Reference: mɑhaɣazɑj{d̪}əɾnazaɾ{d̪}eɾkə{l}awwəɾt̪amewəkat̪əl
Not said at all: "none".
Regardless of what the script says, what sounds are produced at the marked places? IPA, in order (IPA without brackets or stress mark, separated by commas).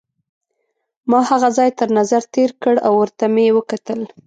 t̪, t̪, ɽ